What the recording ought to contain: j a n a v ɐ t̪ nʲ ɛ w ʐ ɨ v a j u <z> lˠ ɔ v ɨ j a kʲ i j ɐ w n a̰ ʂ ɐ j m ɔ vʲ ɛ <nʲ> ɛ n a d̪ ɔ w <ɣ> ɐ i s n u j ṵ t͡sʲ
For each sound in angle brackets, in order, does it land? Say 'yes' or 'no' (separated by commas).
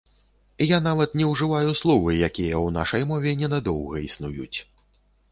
no, yes, yes